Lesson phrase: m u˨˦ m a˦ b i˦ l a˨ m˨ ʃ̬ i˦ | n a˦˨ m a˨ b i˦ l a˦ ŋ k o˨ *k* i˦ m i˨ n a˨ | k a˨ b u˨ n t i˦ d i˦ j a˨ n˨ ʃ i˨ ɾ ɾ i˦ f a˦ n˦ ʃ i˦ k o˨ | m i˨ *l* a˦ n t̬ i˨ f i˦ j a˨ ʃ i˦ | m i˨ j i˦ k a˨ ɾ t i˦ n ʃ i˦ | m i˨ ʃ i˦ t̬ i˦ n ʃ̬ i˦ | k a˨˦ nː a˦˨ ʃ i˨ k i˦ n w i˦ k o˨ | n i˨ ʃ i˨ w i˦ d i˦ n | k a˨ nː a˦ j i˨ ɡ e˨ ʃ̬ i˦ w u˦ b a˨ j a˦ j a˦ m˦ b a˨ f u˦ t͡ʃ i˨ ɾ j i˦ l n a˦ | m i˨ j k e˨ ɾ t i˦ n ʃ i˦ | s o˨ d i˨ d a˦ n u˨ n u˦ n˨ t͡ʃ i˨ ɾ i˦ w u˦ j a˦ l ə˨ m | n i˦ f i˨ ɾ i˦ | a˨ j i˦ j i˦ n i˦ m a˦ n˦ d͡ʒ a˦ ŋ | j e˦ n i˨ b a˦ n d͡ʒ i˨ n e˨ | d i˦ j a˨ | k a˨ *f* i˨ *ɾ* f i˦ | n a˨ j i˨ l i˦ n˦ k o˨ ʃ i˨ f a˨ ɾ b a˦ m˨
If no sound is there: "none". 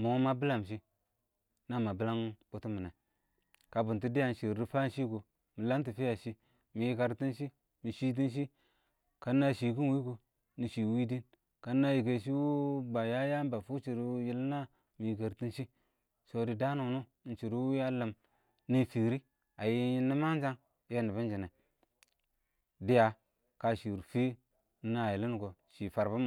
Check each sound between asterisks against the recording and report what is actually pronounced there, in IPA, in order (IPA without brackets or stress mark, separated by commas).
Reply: t, l, ʃ, ɾ